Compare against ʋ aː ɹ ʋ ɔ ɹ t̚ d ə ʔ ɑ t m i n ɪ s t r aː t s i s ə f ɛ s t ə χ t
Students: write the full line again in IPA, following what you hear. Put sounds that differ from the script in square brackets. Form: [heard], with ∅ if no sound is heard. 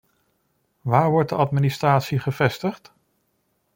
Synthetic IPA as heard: ʋ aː ɹ ʋ ɔ ɹ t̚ d ə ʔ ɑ t m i n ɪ s t r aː t s i [χ] ə [v] ɛ s t ə χ t